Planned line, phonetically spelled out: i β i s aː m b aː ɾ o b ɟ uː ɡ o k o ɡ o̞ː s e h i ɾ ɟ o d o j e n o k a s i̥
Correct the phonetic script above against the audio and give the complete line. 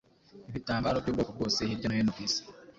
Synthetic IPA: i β i t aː m b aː ɾ o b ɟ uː ɡ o k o ɡ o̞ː s e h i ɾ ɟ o n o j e n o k i s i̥